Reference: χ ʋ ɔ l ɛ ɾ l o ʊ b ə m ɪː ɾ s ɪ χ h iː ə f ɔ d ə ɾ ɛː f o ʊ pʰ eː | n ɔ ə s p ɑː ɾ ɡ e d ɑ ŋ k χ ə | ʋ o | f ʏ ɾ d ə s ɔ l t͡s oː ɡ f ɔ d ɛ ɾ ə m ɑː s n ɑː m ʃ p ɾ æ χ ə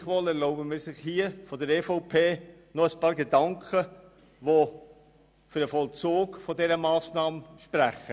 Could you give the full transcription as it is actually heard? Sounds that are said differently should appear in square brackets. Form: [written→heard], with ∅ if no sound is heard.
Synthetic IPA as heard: χ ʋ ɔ l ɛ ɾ l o ʊ b ə m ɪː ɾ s ɪ χ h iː ə f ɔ d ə ɾ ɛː f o ʊ pʰ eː | n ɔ ə s p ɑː ɾ ɡ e d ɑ ŋ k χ ə | ʋ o | f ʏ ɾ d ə [s→f] ɔ l t͡s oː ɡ f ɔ d ɛ ɾ ə m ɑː s n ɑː m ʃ p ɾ æ χ ə